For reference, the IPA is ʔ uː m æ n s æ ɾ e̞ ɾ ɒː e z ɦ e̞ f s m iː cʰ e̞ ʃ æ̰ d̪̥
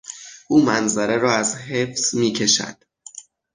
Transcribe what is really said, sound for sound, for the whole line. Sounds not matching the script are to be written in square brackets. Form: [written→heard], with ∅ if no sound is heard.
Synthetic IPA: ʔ uː m æ n [s→z] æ ɾ e̞ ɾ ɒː [e→æ] z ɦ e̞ f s m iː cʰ e̞ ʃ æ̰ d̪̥

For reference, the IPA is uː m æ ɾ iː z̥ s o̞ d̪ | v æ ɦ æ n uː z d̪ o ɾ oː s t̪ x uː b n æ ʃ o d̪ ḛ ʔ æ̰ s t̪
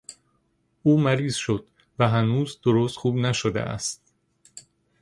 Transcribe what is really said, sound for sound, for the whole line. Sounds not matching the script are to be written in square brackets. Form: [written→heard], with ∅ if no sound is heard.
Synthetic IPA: uː m æ ɾ iː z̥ [s→ʃ] o̞ d̪ | v æ ɦ æ n uː z d̪ o ɾ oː s t̪ x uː b n æ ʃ o d̪ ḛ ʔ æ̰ s t̪

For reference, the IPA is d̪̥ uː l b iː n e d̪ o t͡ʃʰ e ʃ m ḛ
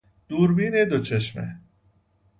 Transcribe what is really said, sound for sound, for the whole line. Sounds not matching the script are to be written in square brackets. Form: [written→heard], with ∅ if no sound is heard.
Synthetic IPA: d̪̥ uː [l→ɾ] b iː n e d̪ o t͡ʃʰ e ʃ m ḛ

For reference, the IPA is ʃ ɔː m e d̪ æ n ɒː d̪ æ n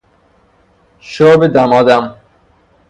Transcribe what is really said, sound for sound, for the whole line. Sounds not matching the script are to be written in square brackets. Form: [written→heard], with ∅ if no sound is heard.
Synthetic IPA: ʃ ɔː [m→b] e d̪ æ [n→m] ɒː d̪ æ [n→m]

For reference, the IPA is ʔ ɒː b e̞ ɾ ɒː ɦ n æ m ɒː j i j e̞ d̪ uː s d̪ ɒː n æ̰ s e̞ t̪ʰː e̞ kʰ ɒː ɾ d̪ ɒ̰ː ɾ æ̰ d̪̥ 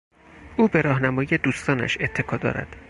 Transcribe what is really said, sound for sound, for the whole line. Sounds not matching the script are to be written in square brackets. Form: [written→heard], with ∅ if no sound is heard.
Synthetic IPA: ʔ [ɒː→uː] b e̞ ɾ ɒː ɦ n æ m ɒː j i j e̞ d̪ uː s [d̪→t̪] ɒː n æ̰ [s→ʃ] e̞ t̪ʰː e̞ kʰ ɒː [ɾ→∅] d̪ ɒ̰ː ɾ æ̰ d̪̥

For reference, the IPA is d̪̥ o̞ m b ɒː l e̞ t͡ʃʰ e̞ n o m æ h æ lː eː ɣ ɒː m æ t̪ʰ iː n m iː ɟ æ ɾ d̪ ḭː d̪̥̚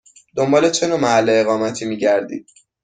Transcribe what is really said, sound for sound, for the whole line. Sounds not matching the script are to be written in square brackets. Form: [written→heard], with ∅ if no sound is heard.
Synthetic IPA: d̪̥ o̞ m b ɒː l e̞ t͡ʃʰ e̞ n o m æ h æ lː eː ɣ ɒː m æ t̪ʰ iː [n→∅] m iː ɟ æ ɾ d̪ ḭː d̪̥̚

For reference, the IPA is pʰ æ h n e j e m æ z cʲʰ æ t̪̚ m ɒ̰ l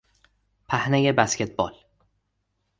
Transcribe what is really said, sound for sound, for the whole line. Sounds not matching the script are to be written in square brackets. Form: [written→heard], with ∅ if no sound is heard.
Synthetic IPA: pʰ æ h n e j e [m→b] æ [z→s] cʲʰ [æ→e] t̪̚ [m→b] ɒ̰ l

